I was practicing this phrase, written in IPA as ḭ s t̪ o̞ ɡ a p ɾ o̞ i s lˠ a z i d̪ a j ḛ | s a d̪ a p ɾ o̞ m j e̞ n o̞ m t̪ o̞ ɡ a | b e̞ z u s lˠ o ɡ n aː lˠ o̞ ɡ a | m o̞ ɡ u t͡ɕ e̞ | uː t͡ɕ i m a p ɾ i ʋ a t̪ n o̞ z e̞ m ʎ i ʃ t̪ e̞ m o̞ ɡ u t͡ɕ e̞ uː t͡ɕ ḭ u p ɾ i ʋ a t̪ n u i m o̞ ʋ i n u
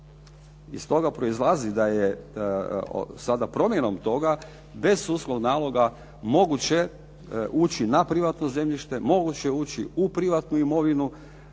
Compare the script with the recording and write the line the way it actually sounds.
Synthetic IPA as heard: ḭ s t̪ o̞ ɡ a p ɾ o̞ i z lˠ a z i d̪ a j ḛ | s a d̪ a p ɾ o̞ m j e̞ n o̞ m t̪ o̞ ɡ a | b e̞ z u s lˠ o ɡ n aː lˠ o̞ ɡ a | m o̞ ɡ u t͡ɕ e̞ | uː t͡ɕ i n a p ɾ i ʋ a t̪ n o̞ z e̞ m ʎ i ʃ t̪ e̞ m o̞ ɡ u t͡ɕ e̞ uː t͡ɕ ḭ u p ɾ i ʋ a t̪ n u i m o̞ ʋ i n u